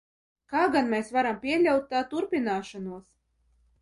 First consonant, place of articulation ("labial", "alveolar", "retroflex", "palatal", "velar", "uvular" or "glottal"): velar